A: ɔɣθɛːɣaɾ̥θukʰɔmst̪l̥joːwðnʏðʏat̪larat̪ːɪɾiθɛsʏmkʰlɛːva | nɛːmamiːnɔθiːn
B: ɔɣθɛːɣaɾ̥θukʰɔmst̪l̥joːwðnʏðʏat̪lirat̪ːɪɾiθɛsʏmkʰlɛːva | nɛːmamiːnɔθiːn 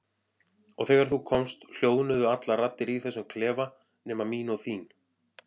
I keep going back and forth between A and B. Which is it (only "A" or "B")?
A